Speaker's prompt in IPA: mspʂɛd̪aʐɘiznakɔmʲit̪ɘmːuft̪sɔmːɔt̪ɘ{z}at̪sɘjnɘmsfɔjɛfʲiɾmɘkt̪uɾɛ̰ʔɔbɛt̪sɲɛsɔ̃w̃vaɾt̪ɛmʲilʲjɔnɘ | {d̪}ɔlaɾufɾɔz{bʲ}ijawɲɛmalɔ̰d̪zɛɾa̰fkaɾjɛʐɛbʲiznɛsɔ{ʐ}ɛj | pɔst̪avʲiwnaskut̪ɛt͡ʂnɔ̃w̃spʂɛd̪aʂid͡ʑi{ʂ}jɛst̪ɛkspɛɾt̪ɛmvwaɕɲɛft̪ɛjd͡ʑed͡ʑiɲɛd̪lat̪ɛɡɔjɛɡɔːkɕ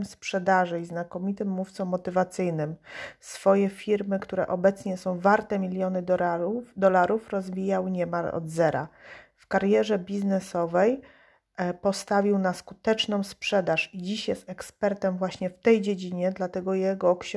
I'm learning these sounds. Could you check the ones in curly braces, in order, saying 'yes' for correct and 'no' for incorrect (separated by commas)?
no, yes, no, no, no